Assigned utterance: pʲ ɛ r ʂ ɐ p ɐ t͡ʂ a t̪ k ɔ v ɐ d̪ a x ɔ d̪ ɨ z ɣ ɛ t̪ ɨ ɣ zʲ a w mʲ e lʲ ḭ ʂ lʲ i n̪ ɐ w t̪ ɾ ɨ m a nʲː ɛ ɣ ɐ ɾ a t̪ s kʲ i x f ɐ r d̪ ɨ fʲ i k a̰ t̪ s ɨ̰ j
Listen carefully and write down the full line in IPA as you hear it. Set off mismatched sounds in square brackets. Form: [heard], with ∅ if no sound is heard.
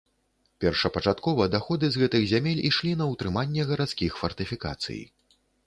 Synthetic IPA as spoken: pʲ ɛ r ʂ ɐ p ɐ t͡ʂ a t̪ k ɔ v ɐ d̪ a x ɔ d̪ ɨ z ɣ ɛ t̪ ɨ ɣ zʲ a [∅] mʲ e lʲ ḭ ʂ lʲ i n̪ ɐ w t̪ ɾ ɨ m a nʲː ɛ ɣ ɐ ɾ a t̪ s kʲ i x f ɐ r [t̪] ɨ fʲ i k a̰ t̪ s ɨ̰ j

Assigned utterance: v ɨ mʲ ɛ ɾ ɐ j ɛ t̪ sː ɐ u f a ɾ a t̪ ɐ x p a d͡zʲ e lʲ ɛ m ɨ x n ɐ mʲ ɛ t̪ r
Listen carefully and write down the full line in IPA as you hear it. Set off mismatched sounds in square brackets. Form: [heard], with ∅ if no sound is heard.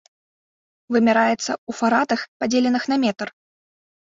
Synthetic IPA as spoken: v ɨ mʲ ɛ ɾ [a] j ɛ t̪ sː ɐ u f a ɾ a t̪ ɐ x p a d͡zʲ e lʲ ɛ [n] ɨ x n ɐ mʲ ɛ t̪ r

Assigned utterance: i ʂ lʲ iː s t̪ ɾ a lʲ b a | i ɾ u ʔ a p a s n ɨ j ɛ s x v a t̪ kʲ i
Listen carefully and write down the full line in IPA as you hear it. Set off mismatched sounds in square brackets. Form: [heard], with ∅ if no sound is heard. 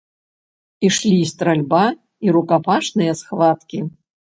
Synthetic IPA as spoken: i ʂ lʲ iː s t̪ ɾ a lʲ b a | i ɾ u [k] a p a [ʂ] n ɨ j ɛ s x v a t̪ kʲ i

